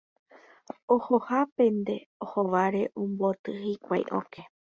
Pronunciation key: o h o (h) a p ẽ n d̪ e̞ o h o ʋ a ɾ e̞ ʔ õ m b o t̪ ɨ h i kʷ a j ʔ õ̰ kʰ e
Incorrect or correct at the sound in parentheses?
correct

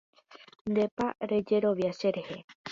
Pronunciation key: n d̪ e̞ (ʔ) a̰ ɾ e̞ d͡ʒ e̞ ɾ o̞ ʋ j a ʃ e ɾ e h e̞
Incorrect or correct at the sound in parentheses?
incorrect: p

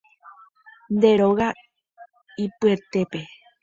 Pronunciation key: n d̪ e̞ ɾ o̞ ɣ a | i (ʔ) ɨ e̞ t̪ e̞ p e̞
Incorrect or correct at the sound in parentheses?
incorrect: p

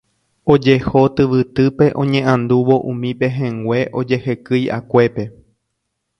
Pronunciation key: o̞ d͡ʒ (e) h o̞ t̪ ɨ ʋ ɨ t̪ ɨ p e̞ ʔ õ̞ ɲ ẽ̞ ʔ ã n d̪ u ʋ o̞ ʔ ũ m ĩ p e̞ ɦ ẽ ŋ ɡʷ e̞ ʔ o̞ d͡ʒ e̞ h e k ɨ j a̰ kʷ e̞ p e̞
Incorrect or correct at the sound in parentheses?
correct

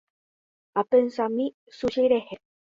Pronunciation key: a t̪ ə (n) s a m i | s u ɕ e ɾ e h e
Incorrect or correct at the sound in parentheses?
correct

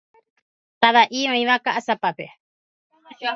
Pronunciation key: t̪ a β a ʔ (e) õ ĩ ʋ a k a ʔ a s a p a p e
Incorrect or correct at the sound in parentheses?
incorrect: i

